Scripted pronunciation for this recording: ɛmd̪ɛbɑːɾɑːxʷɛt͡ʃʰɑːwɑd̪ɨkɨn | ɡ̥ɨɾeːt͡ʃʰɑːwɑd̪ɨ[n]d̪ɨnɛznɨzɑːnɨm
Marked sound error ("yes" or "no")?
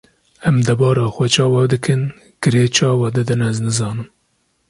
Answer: yes